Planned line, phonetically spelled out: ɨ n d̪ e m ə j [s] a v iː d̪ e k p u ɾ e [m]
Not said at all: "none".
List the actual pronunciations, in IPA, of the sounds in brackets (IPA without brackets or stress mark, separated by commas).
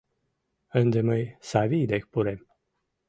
s, m